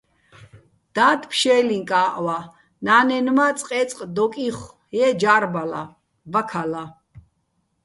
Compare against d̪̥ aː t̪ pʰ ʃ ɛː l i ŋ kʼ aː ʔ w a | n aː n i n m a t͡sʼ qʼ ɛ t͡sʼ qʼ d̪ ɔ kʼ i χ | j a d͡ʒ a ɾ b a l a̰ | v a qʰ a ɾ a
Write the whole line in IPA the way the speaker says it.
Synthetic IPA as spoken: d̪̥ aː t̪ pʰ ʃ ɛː l i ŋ kʼ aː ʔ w a | n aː n ɛ n m a t͡sʼ qʼ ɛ t͡sʼ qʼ d̪ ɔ kʼ i χ | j ɛ d͡ʒ a ɾ b a l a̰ | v a kʰ a l a